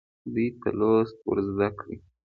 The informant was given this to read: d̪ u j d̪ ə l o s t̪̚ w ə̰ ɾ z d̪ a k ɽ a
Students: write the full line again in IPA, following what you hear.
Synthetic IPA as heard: d̪ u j t̪ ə l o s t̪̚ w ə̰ ɾ z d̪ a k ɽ i